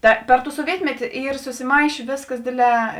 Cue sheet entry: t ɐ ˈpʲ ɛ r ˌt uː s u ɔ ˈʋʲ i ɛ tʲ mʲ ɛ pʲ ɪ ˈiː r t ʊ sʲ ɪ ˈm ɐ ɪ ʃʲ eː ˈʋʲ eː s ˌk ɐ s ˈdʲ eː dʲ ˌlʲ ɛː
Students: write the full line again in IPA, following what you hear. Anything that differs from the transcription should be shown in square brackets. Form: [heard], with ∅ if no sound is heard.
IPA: t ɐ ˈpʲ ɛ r ˌt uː s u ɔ ˈʋʲ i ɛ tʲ mʲ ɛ [tʲ] ɪ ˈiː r [s] ʊ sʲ ɪ ˈm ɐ ɪ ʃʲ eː ˈʋʲ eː s ˌk ɐ s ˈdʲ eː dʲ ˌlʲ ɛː